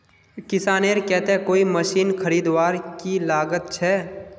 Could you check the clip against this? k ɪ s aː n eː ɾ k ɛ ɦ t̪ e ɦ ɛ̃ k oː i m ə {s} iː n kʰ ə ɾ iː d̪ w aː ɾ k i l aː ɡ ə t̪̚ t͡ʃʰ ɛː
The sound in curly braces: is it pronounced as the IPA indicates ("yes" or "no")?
no